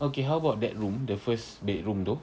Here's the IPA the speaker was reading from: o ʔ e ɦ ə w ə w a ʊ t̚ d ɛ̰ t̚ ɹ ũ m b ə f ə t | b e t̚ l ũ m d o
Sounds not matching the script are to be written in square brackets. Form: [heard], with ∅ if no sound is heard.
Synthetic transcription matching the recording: o [k] e ɦ [a] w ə [b] a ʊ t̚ d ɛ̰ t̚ ɹ ũ m [d] ə f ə [s] | b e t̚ [ɹ] ũ m d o